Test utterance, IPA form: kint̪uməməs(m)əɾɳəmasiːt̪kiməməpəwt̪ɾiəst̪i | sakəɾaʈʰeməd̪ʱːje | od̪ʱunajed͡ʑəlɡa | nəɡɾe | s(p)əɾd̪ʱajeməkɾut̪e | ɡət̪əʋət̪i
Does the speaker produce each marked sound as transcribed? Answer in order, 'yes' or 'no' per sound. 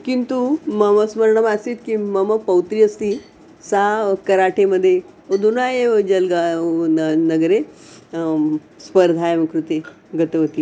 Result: yes, yes

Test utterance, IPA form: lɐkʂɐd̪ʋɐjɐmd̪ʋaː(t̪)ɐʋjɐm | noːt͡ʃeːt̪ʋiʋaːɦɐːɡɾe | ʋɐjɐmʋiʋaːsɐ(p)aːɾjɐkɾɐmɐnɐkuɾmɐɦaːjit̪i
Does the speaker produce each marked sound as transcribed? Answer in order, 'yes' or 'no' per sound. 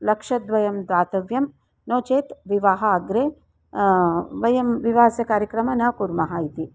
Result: yes, no

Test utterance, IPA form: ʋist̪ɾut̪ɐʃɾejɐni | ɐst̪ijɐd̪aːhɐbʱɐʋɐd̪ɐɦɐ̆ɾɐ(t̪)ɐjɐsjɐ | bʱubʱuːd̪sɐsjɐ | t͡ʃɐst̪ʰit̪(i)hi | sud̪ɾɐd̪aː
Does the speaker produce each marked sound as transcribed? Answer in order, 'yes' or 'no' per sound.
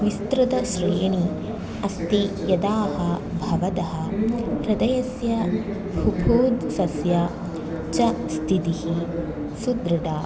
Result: no, yes

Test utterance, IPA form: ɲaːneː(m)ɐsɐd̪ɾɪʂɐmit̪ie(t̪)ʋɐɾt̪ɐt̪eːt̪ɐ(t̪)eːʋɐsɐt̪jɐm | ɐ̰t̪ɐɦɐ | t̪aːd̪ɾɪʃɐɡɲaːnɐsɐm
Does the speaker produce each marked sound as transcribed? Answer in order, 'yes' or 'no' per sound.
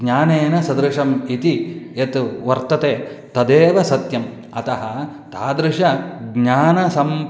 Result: no, yes, no

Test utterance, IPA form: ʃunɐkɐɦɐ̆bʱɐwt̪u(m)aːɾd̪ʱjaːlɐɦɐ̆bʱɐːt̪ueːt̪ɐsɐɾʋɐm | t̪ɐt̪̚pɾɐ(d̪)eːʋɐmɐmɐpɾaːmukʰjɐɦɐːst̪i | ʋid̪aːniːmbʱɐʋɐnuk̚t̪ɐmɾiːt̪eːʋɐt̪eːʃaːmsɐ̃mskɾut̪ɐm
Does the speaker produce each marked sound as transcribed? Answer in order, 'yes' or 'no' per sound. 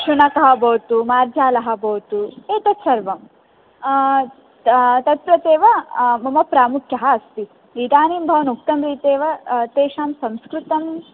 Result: yes, no

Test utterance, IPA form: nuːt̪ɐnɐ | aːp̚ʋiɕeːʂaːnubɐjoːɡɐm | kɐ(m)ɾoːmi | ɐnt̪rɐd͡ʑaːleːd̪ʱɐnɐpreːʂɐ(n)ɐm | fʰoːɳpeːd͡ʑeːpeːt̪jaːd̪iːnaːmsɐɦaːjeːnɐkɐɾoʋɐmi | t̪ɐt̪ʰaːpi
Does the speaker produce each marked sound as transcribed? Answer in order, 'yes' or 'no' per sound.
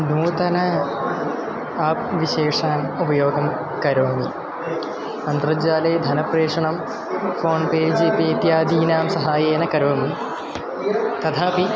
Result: no, no

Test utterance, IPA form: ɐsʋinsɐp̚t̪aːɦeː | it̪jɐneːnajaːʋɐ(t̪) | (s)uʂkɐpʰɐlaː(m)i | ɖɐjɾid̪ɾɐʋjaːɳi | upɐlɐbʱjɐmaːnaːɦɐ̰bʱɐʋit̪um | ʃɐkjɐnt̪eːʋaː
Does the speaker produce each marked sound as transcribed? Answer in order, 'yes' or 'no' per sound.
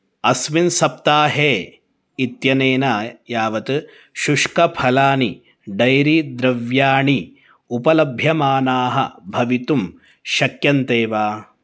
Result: yes, no, no

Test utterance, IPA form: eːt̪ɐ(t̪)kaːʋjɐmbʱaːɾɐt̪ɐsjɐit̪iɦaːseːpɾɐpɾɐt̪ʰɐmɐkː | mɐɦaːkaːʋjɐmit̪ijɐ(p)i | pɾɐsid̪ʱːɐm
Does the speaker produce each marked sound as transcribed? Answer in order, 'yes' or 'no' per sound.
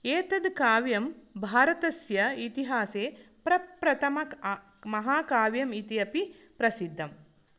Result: no, yes

